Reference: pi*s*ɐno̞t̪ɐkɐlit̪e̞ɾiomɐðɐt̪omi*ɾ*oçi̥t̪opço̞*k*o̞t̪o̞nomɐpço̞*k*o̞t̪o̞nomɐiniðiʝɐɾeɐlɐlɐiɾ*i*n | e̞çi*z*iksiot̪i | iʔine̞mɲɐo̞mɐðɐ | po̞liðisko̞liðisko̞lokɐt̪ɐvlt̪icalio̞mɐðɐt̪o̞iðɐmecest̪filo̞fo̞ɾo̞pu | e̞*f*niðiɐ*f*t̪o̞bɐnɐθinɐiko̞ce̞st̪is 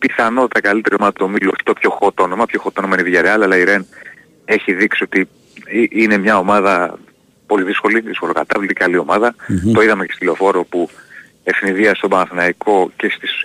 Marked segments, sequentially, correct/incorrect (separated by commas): incorrect, incorrect, incorrect, incorrect, incorrect, incorrect, correct, incorrect